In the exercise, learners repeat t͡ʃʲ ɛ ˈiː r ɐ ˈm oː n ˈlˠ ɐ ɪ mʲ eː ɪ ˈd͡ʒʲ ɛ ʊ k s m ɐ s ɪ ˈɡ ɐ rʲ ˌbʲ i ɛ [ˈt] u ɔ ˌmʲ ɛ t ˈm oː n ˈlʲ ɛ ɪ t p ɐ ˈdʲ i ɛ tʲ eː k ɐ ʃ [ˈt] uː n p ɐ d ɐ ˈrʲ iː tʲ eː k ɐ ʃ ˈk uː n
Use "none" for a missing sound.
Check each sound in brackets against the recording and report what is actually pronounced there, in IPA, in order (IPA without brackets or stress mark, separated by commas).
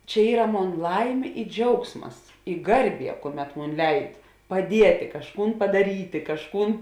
k, k